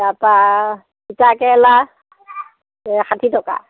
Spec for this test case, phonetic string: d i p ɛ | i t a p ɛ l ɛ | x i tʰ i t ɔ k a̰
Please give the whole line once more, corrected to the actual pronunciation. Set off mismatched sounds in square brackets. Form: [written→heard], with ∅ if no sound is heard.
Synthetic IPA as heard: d [i→a] p [ɛ→a] | i t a [p→k] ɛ l [ɛ→a] | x [i→a] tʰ i t ɔ k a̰